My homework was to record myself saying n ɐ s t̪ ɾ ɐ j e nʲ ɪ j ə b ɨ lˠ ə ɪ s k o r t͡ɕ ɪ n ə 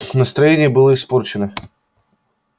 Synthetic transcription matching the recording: n ə s t̪ ɾ ɐ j e nʲ ɪ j ə b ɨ lˠ ə ɪ s p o r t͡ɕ ɪ n ə